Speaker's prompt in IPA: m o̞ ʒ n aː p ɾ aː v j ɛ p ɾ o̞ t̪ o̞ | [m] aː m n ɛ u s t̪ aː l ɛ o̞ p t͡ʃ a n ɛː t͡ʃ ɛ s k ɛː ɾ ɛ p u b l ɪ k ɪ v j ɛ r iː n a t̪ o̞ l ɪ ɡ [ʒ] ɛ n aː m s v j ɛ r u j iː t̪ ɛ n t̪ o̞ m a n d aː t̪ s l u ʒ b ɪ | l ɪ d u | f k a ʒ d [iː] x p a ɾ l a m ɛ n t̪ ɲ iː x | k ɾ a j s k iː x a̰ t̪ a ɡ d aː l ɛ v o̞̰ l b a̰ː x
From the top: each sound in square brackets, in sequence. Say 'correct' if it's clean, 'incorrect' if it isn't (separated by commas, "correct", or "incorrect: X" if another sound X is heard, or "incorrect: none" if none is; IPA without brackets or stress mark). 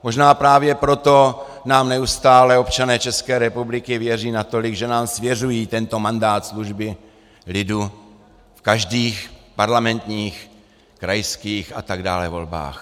incorrect: n, correct, correct